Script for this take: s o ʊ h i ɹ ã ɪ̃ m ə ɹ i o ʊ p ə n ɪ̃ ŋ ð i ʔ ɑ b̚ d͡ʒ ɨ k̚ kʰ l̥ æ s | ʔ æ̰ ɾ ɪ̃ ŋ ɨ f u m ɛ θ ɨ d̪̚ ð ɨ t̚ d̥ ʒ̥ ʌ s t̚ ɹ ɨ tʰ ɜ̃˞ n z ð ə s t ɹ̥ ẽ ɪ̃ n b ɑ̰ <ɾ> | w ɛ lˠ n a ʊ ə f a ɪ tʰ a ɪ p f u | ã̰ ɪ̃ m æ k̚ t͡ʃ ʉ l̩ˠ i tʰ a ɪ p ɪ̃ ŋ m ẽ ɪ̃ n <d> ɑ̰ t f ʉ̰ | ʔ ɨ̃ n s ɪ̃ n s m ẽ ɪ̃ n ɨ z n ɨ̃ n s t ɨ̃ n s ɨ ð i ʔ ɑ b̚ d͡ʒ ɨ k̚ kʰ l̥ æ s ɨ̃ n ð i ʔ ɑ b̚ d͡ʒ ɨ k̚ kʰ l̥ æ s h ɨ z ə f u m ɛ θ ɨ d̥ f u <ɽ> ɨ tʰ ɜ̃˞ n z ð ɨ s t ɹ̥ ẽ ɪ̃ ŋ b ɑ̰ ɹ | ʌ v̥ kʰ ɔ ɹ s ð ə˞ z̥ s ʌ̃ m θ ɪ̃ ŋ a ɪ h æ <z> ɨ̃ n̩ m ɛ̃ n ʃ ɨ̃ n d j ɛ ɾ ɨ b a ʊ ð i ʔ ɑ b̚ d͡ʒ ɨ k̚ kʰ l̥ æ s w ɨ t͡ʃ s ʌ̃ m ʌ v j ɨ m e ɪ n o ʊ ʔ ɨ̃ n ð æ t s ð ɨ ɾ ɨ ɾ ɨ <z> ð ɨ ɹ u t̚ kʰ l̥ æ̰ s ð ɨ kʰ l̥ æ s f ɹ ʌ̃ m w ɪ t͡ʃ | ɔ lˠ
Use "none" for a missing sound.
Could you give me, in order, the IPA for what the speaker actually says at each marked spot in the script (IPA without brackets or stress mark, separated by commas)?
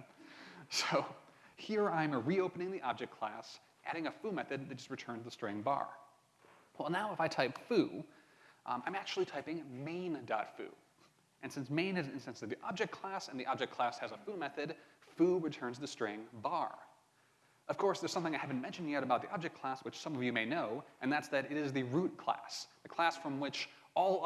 ɹ, d, ɹ, v, z